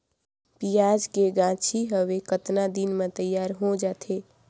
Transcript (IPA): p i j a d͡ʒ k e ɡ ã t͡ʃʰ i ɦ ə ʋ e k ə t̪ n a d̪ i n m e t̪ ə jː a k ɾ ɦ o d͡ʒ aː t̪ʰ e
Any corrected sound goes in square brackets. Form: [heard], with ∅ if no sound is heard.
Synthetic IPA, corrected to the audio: p i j a d͡ʒ k e ɡ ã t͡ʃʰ i ɦ ə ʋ e k ə t̪ n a d̪ i n m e t̪ ə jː a [∅] ɾ ɦ o d͡ʒ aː t̪ʰ e